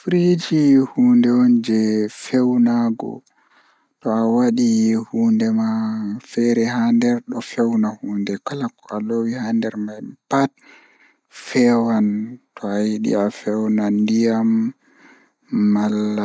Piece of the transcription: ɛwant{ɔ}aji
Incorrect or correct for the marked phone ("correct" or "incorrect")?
correct